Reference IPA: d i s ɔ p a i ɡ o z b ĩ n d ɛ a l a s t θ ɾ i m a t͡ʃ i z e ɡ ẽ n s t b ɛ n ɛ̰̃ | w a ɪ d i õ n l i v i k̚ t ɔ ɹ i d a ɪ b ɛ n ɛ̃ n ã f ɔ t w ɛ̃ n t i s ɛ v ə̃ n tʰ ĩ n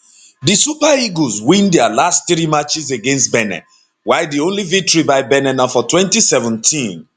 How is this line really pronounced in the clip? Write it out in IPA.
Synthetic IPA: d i s u p a i ɡ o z w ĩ n d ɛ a l a s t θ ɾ i m a t͡ʃ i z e ɡ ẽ n s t b ɛ n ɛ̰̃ | w a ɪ d i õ n l i v i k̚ t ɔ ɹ i b a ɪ b ɛ n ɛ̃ n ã f ɔ t w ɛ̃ n t i s ɛ v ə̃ n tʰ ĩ n

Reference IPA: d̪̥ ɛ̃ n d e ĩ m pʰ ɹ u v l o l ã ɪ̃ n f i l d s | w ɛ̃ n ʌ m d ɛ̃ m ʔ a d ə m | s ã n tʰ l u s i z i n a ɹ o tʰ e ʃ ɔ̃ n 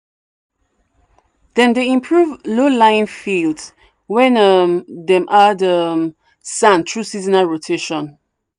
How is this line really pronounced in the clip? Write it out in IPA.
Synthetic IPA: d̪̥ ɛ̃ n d e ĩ m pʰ ɹ u v l o l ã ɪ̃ n f i l d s | w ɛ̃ n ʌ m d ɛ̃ m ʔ a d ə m | s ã n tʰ ɹ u s i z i n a ɹ o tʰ e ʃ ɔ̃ n

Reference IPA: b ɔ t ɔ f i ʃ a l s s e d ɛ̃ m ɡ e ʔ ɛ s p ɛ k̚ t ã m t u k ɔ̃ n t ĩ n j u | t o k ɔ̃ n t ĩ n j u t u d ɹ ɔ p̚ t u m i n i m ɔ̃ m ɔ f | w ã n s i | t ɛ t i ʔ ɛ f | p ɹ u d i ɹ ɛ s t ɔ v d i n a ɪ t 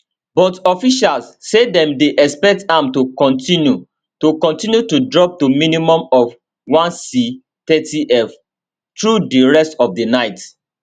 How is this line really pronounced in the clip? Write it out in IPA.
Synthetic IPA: b ɔ t ɔ f i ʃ a l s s e d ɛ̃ m d e ʔ ɛ s p ɛ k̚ t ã m t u k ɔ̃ n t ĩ n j u | t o k ɔ̃ n t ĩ n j u t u d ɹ ɔ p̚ t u m i n i m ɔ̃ m ɔ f | w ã n s i | t ɛ t i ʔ ɛ f | t ɹ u d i ɹ ɛ s t ɔ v d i n a ɪ t

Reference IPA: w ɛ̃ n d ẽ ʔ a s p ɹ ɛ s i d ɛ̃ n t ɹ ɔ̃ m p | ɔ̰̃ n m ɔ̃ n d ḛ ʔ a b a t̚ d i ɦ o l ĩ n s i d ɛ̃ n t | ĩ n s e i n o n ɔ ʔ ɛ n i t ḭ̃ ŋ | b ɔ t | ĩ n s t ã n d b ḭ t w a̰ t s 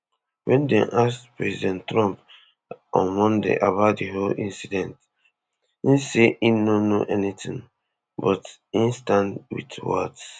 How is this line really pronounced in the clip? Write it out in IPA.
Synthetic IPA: w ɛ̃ n d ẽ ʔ a s p ɹ ɛ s i d ɛ̃ n t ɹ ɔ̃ m p | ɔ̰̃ n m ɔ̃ n d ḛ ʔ a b a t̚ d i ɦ o l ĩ n s i d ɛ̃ n t | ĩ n s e i n o n o ʔ ɛ n i t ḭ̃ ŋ | b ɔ t | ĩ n s t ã n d w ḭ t w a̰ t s

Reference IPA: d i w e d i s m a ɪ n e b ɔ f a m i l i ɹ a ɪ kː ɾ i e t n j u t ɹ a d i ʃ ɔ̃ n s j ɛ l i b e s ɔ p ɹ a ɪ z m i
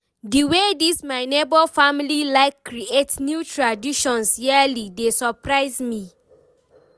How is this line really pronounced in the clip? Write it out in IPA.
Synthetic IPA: d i w e d i s m a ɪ n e b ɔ f a m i l i l a ɪ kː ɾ i e t n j u t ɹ a d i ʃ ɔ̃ n s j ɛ l i d e s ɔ p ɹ a ɪ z m i

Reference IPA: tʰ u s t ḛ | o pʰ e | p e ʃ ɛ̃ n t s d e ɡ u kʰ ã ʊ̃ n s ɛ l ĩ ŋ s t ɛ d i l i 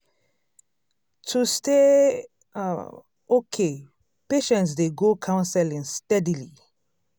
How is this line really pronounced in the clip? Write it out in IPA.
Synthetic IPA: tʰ u s t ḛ | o kʰ e | p e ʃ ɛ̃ n t s d e ɡ o kʰ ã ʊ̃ n s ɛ l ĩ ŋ s t ɛ d i l i

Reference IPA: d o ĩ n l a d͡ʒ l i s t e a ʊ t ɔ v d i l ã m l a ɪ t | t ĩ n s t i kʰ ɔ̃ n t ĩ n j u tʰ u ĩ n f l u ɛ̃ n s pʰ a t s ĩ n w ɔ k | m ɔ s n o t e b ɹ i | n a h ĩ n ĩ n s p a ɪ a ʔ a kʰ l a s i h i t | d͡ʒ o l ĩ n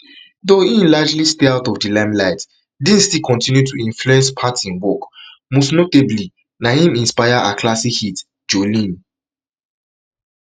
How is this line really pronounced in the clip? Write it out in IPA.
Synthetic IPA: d o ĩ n l a d͡ʒ l i s t e a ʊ t ɔ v d i l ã m l a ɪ t | d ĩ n s t i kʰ ɔ̃ n t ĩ n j u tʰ u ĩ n f l u ɛ̃ n s pʰ a t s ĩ n w ɔ k | m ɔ s n o t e b l i | n a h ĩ m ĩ n s p a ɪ a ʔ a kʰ l a s i h i t | d͡ʒ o l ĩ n

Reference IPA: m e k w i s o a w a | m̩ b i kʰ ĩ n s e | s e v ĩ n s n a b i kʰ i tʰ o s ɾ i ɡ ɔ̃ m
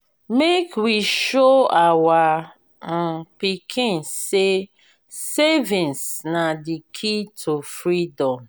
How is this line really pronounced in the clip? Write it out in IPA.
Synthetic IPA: m e k w i ʃ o a w a | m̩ p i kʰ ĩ n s e | s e v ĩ n s n a d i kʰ i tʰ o f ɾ i d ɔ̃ m

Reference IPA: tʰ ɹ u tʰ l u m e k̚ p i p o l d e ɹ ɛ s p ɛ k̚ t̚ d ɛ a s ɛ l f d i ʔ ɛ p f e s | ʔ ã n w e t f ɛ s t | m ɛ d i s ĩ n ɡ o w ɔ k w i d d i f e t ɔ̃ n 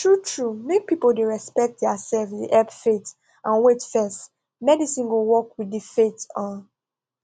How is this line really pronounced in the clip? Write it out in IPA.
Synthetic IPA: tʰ ɹ u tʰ ɹ u m e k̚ p i p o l d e ɹ ɛ s p ɛ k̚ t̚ d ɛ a s ɛ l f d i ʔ ɛ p f e t | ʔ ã n w e t f ɛ s t | m ɛ d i s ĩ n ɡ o w ɔ k w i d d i f e t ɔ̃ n

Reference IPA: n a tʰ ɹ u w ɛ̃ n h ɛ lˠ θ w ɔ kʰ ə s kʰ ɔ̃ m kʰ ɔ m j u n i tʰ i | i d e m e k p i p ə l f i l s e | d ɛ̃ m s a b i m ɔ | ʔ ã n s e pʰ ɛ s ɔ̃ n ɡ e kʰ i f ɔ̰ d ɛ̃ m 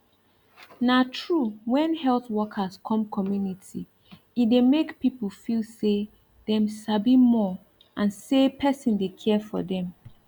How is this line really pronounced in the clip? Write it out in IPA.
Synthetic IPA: n a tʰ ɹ u w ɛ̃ n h ɛ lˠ θ w ɔ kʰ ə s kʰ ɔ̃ m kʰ ɔ m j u n i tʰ i | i d e m e k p i p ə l f i l s e | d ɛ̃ m s a b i m ɔ | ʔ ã n s e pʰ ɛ s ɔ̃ n d e kʰ ɛ f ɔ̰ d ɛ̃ m

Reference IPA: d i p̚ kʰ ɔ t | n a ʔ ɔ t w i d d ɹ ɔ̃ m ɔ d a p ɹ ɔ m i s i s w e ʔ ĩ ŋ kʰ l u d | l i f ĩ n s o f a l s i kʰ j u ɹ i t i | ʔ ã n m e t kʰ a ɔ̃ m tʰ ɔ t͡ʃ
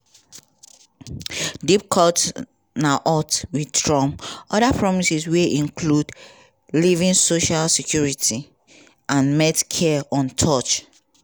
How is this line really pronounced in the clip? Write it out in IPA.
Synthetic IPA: d i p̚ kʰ ɔ t | n a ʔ ɔ t w i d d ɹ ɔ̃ m ɔ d a p ɹ ɔ m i s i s w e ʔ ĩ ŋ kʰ l u d | l i v ĩ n s o ʃ a l s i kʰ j u ɹ i t i | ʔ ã n m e t kʰ ɛ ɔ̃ n tʰ ɔ t͡ʃ

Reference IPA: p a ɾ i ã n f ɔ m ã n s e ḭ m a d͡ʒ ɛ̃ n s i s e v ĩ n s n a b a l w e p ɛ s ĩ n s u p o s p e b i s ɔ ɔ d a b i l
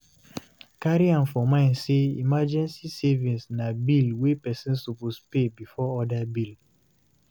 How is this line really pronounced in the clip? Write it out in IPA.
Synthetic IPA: k a ɾ i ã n f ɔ m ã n s e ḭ m a d͡ʒ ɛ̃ n s i s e v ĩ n s n a b i l w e p ɛ s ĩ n s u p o s p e b i f ɔ ɔ d a b i l

